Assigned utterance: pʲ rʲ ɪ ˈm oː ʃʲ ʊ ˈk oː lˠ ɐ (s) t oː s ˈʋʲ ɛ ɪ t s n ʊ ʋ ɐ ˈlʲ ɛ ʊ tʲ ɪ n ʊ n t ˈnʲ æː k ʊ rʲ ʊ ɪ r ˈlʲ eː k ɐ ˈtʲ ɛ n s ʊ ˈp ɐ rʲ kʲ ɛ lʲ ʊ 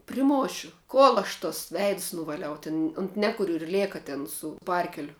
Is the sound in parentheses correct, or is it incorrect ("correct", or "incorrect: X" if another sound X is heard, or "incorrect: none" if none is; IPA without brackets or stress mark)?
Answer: incorrect: ʃ